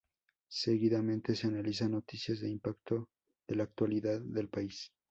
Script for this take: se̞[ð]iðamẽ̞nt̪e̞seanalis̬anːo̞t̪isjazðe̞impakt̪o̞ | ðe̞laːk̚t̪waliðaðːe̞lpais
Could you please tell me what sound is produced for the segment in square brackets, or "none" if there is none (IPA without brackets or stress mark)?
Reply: ɣ